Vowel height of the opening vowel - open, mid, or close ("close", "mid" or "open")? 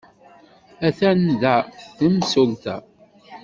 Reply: open